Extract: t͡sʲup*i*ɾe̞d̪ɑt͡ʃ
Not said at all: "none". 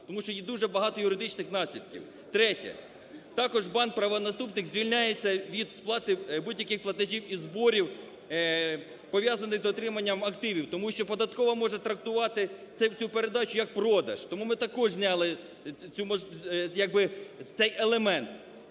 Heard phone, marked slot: e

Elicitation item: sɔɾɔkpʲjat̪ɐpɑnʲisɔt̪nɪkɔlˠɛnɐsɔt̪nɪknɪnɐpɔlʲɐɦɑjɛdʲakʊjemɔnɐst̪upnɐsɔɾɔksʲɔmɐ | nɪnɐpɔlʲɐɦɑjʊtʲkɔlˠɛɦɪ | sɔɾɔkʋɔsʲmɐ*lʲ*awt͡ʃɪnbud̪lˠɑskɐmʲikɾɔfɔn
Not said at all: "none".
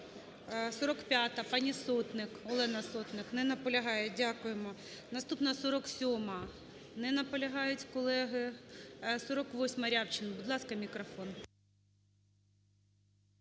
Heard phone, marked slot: ɾʲ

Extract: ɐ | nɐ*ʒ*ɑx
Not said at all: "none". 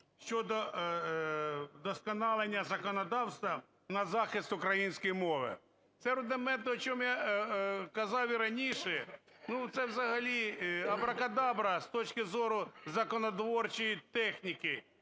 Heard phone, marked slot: z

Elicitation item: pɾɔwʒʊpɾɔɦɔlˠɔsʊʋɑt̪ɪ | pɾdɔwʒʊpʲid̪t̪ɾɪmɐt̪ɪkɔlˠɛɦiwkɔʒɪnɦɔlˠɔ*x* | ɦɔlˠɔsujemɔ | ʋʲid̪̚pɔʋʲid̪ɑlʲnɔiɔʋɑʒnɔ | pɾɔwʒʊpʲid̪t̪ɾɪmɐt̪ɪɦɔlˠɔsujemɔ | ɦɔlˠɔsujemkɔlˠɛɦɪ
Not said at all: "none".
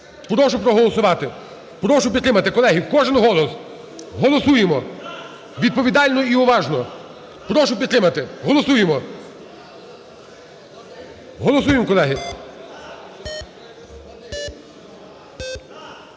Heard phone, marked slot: s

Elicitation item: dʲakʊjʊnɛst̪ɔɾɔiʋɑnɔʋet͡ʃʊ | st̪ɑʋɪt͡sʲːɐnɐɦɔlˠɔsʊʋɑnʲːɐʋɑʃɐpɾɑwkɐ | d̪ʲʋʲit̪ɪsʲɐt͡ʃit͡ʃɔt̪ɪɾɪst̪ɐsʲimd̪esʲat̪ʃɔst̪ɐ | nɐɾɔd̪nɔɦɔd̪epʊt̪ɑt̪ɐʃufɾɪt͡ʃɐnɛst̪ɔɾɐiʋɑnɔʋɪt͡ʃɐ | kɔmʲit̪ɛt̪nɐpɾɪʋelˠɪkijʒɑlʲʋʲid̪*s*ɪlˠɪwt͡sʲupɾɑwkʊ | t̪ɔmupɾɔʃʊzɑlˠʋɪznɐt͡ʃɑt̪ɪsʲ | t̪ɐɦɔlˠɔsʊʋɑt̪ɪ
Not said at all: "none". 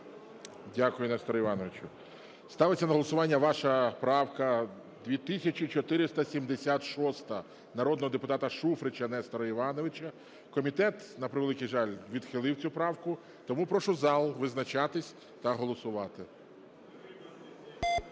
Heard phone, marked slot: x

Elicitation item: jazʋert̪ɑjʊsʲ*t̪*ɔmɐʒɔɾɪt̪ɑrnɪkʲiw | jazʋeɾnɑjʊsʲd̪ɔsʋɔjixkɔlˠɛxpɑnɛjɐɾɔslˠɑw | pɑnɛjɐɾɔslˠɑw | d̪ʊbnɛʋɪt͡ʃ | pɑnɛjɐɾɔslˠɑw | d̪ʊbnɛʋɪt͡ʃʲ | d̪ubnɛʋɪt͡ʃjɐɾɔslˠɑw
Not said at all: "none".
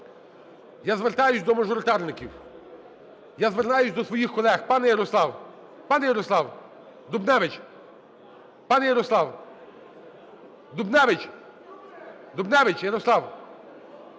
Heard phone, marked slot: d̪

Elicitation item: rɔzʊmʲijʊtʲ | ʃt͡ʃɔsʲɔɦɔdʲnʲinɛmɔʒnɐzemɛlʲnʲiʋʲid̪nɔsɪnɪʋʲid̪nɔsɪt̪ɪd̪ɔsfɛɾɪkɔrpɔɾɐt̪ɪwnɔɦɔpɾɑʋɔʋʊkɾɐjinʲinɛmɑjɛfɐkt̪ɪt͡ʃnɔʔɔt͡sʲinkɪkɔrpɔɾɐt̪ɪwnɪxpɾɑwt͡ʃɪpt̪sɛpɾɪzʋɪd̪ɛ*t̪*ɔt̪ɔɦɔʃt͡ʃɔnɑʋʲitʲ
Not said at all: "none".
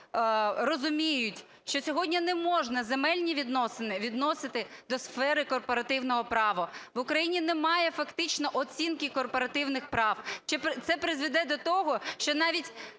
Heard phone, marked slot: d̪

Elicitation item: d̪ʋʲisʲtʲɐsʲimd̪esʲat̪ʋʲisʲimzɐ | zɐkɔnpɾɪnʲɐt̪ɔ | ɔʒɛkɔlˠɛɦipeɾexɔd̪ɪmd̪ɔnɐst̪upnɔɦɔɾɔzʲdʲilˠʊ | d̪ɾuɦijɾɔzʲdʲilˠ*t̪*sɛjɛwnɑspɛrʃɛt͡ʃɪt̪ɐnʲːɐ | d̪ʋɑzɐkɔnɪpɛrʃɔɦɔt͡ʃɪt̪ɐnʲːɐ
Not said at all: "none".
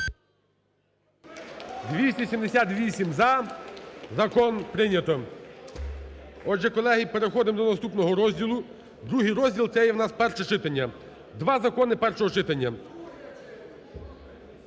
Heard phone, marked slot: t̪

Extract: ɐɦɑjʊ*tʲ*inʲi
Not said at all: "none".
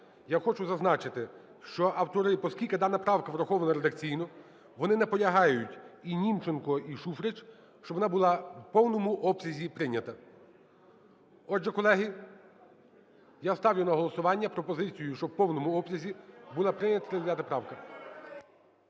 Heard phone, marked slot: tʲ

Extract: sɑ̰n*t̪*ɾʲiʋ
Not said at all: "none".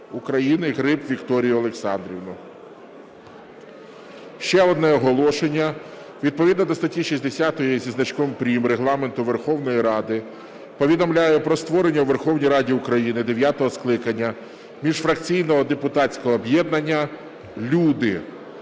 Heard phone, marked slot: d̪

